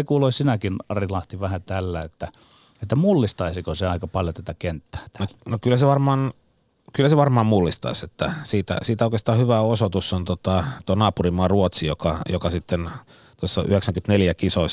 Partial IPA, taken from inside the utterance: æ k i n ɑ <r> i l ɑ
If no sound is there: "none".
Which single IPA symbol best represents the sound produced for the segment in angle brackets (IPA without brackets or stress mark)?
r